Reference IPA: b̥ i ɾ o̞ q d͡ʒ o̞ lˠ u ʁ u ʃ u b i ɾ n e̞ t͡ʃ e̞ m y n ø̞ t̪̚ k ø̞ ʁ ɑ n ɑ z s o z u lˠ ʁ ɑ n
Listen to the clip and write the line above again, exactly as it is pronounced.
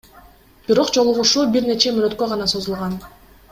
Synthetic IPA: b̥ i ɾ o̞ q d͡ʒ o̞ lˠ u ʁ u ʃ u b i ɾ n e̞ t͡ʃ e̞ m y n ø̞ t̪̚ k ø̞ ʁ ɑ n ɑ s o z u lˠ ʁ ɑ n